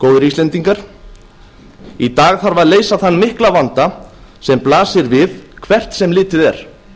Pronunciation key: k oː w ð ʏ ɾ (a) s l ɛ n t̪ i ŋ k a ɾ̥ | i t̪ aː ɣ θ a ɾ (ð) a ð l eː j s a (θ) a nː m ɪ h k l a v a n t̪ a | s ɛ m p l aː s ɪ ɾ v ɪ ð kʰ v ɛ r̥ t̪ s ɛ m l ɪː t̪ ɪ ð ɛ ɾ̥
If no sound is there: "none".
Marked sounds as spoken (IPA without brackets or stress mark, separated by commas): i, v, θ